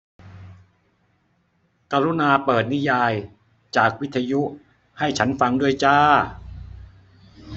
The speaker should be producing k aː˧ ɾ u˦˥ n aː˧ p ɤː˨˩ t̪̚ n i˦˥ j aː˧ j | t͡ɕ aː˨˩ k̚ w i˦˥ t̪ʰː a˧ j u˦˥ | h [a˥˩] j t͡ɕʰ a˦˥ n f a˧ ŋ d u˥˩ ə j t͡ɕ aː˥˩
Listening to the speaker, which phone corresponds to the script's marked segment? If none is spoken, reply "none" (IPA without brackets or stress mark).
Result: a˥˩